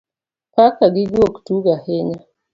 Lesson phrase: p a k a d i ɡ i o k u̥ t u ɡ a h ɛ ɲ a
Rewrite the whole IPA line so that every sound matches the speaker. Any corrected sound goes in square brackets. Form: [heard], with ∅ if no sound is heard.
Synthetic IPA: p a k a [ɡ] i ɡ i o k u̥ t u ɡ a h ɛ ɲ a